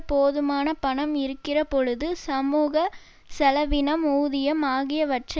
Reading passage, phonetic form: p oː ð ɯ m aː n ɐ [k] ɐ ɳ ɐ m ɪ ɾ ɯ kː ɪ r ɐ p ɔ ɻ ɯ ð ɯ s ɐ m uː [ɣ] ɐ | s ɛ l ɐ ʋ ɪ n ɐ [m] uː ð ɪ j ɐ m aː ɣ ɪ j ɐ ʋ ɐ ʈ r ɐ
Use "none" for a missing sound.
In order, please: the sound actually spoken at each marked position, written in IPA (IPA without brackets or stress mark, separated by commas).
p, ɣ, m